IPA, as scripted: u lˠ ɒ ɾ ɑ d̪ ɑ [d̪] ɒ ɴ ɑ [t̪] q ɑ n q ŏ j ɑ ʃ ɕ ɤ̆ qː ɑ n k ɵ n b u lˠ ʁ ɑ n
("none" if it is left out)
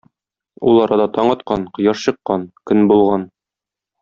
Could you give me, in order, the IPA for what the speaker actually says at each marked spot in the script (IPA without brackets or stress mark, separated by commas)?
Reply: t̪, t̪